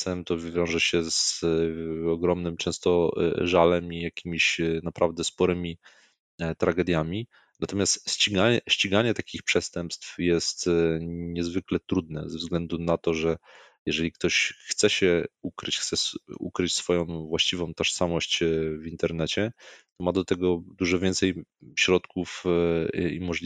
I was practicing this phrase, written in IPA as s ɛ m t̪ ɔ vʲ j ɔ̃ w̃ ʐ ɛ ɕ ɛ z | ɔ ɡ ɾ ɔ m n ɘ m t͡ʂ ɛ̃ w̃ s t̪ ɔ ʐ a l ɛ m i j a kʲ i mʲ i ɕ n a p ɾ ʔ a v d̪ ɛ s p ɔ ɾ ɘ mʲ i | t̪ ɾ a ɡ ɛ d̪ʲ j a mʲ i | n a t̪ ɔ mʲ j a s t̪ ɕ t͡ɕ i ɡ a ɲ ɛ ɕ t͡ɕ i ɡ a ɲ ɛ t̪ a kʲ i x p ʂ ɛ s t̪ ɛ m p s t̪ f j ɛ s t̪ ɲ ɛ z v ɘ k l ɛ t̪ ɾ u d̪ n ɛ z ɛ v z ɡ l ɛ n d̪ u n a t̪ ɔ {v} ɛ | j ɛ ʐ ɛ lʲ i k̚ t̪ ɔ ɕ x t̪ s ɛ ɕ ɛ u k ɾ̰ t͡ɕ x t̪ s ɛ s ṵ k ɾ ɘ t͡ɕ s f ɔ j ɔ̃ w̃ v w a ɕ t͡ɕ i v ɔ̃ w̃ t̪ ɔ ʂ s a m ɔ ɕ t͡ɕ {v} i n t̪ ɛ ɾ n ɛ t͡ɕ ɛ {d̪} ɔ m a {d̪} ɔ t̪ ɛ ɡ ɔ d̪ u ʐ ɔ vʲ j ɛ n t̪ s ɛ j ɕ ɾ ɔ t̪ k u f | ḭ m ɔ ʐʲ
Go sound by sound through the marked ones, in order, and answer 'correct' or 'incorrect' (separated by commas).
incorrect, correct, incorrect, correct